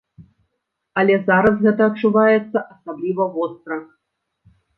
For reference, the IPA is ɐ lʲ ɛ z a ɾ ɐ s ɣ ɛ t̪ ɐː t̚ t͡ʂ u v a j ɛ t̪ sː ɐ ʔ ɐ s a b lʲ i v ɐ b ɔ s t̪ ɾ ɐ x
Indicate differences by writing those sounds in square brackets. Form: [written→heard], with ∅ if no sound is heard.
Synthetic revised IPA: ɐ lʲ ɛ z a ɾ ɐ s ɣ ɛ t̪ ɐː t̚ t͡ʂ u v a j ɛ t̪ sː ɐ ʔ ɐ s a b lʲ i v ɐ [b→v] ɔ s t̪ ɾ ɐ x